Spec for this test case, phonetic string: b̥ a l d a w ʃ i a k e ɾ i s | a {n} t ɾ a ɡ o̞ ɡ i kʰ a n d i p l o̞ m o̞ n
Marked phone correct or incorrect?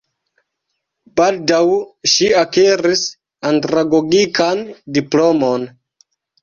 correct